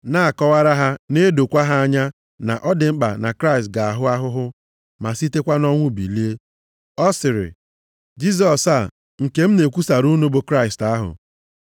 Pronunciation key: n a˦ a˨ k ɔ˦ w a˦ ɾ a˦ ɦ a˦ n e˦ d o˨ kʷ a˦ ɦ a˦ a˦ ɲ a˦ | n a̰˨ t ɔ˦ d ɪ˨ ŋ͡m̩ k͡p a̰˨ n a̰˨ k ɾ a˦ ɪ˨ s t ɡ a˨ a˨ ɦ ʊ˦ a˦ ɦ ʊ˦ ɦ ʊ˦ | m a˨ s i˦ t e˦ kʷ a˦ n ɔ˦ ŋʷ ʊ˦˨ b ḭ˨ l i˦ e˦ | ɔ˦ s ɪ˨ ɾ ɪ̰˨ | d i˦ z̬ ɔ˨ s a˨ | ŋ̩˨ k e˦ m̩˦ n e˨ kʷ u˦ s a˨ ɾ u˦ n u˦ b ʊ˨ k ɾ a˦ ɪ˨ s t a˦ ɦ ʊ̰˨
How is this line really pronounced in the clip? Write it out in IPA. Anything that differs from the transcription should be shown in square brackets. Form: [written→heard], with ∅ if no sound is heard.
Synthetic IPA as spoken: n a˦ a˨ k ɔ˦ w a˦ ɾ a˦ ɦ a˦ n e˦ d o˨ kʷ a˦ ɦ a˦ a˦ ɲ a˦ | n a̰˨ [t→ʔ] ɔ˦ d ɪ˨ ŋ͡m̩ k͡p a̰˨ n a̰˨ k ɾ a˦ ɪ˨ s t ɡ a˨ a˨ ɦ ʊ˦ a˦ ɦ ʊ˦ ɦ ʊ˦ | m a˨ s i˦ t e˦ kʷ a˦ n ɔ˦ ŋʷ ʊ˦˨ b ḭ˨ l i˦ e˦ | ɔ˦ s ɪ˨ ɾ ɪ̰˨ | [d→d͡ʒ] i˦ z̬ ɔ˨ s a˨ | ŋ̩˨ k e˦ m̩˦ n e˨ kʷ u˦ s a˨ ɾ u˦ n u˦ b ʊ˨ k ɾ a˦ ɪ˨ s t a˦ ɦ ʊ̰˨